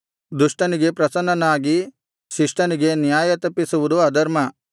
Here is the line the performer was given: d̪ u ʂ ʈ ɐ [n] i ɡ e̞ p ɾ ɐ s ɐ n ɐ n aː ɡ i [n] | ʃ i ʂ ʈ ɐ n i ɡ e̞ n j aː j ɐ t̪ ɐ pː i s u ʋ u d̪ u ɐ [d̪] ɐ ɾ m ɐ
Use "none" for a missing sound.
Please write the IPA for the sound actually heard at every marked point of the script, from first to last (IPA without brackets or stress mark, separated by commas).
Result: n, none, d̪